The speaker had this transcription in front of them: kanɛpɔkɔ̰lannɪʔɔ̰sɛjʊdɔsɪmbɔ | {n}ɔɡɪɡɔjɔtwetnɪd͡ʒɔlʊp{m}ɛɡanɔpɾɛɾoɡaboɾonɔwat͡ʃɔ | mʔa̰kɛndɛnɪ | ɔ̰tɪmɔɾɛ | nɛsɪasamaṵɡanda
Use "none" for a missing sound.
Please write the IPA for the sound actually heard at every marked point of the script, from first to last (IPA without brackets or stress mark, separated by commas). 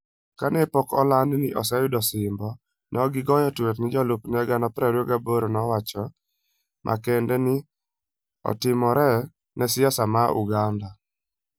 n, n